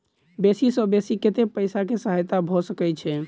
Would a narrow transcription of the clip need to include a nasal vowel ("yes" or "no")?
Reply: no